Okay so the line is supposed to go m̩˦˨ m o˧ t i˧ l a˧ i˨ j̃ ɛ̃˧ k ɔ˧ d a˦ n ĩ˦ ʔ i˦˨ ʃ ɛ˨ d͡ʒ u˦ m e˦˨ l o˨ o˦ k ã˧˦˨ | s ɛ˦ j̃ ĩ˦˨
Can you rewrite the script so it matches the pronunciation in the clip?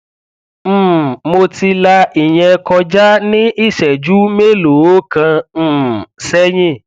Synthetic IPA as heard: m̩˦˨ m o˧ t i˧ l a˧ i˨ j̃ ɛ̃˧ k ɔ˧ d͡ʒ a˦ n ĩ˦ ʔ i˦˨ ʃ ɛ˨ d͡ʒ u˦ m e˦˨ l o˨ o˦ k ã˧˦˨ | s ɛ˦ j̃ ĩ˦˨